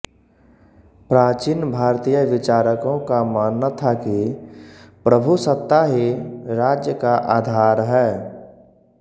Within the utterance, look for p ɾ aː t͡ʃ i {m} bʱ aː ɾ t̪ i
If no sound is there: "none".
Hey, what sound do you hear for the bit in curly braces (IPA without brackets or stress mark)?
n